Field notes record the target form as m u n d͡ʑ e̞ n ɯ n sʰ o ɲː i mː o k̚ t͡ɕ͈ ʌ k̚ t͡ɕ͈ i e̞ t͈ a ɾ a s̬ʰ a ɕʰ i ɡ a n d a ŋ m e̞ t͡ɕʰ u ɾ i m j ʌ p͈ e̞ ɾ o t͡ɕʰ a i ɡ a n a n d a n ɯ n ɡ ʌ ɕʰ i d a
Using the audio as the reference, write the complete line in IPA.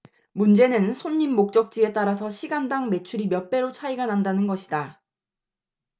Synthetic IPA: m u n d͡ʑ e̞ n ɯ n sʰ o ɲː i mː o k̚ t͡ɕ͈ ʌ k̚ t͡ɕ͈ i e̞ t͈ a ɾ a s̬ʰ ʌ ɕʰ i ɡ a n d a ŋ m e̞ t͡ɕʰ u ɾ i m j ʌ p͈ e̞ ɾ o t͡ɕʰ a i ɡ a n a n d a n ɯ n ɡ ʌ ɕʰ i d a